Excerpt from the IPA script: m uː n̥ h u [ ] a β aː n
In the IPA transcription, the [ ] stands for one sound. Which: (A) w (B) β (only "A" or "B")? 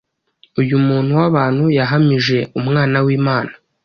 A